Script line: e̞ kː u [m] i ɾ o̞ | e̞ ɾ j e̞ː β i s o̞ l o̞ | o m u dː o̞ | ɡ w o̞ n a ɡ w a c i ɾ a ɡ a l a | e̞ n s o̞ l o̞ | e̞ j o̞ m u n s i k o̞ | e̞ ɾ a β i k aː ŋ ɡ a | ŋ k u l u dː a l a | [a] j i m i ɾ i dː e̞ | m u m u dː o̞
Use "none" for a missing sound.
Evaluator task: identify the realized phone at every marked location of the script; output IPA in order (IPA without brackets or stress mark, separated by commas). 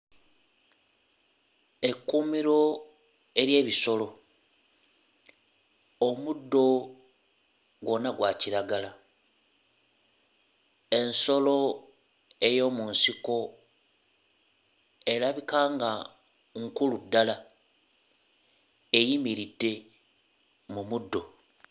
m, e